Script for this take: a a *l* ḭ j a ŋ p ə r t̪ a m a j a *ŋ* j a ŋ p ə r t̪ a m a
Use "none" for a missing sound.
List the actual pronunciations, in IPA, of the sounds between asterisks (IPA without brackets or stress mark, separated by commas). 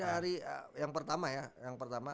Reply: ɾ, none